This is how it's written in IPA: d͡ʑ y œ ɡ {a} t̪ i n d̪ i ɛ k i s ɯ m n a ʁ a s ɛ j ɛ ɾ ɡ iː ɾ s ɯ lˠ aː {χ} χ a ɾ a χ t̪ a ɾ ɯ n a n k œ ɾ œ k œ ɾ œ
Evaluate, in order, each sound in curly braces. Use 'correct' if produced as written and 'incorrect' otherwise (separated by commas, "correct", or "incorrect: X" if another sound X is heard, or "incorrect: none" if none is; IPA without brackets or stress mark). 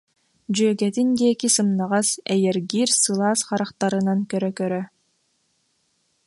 incorrect: ɛ, incorrect: s